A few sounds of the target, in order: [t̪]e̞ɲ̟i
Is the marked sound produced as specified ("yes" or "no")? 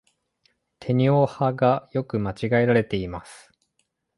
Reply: no